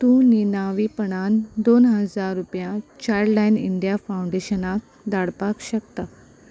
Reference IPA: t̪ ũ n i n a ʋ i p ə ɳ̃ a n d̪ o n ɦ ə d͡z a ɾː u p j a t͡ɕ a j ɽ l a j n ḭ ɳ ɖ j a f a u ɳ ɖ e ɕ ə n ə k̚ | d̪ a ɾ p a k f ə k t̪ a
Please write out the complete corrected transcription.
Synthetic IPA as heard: t̪ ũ n i n a ʋ i p ə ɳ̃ a n d̪ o n ɦ ə d͡z a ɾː u p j a t͡ɕ a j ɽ l a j n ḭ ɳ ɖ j a f a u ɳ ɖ e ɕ ə n a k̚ | d̪ a ɽ p a k ɕ ə k t̪ a

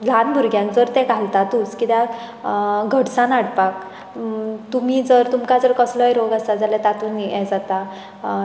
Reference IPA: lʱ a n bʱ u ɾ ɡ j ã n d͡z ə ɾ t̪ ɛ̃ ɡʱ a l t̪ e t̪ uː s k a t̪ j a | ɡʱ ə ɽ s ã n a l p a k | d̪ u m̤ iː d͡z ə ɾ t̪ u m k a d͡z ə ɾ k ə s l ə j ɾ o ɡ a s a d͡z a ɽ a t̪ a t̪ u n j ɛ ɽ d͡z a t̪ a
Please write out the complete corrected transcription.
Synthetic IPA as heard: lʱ a n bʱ u ɾ ɡ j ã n d͡z ə ɾ t̪ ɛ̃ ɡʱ a l t̪ a t̪ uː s k i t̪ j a | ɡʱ ə ɽ s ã n a ɽ p a k | t̪ u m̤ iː d͡z ə ɾ t̪ u m k a d͡z ə ɾ k ə s l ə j ɾ o ɡ a s a d͡z a l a t̪ a t̪ u n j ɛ d͡z a t̪ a

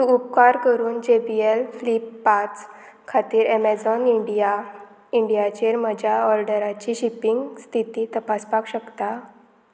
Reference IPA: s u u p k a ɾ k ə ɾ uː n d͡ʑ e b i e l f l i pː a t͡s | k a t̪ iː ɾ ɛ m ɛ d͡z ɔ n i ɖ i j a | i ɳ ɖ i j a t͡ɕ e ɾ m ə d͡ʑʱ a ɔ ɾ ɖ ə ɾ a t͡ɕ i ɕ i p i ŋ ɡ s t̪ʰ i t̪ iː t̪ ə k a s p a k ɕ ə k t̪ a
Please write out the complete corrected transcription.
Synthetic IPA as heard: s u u p k a ɾ k ə ɾ uː n d͡ʑ e b i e l f l i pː a t͡s | kʰ a t̪ iː ɾ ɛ m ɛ d͡z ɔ n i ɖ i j a | i ɳ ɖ i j a t͡ɕ e ɾ m ə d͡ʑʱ a ɔ ɾ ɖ ə ɾ a t͡ɕ i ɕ i p i ŋ ɡ s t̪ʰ i t̪ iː t̪ ə p a s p a k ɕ ə k t̪ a

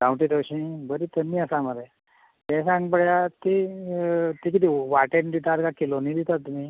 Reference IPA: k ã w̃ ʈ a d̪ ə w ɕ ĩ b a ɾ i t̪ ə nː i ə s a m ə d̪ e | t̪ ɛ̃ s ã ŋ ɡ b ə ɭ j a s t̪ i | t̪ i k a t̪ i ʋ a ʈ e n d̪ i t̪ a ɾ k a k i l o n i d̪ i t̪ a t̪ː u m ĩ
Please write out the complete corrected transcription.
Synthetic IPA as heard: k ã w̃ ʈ i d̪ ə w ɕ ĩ b ə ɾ i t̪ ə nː i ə s a m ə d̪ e | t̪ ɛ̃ s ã ŋ ɡ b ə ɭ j a t̪ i | t̪ i k i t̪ i ʋ a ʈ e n d̪ i t̪ a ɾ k a k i l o n i d̪ i t̪ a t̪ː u m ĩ

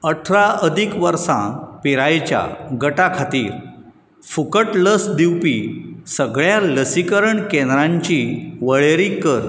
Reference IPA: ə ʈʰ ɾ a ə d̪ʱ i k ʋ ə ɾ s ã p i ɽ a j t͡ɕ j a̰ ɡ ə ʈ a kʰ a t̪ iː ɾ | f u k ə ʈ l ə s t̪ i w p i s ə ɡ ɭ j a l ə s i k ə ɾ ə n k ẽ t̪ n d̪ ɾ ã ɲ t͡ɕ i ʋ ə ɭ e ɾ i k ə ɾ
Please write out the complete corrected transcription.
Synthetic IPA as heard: ə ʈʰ ɾ a ə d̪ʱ i k ʋ ə ɾ s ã p i ɾ a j t͡ɕ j a̰ ɡ ə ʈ a kʰ a t̪ iː ɾ | f u k ə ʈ l ə s d̪ i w p i s ə ɡ ɭ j a l ə s i k ə ɾ ə ɳ k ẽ n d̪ ɾ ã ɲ t͡ɕ i ʋ ə ɭ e ɾ i k ə ɾ

